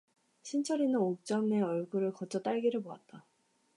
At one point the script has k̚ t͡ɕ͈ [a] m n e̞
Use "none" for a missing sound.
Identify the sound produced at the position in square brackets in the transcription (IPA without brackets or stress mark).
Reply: ʌ